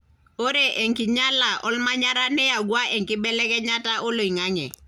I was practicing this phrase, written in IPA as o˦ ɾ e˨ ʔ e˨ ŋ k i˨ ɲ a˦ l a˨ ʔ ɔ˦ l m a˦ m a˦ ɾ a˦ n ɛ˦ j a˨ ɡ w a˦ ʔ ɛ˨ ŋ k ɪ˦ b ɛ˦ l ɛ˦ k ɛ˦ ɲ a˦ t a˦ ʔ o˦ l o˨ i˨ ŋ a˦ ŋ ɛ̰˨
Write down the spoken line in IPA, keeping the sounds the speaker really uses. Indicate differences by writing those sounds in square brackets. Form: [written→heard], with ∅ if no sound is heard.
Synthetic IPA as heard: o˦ ɾ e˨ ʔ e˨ ŋ k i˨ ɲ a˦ l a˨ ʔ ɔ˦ l m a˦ [m→ɲ] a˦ ɾ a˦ n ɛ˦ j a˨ ɡ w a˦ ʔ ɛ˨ ŋ k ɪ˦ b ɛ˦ l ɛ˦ k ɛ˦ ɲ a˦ t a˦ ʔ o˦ l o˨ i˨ ŋ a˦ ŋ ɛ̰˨